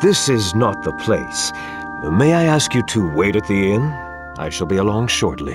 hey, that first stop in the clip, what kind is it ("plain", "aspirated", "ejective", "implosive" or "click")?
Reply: plain